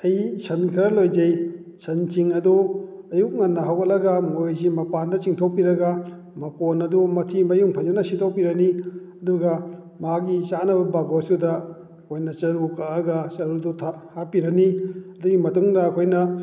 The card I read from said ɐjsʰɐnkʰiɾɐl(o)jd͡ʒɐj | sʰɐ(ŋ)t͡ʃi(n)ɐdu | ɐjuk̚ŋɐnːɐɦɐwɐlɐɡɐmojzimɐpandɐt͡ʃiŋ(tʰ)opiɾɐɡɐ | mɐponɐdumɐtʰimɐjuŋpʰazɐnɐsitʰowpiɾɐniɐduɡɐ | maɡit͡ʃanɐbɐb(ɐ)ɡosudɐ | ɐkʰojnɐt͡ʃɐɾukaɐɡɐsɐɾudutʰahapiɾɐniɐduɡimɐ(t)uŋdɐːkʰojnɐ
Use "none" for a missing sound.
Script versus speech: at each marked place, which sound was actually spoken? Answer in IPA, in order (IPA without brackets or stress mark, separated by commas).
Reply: o, n, ŋ, tʰ, a, t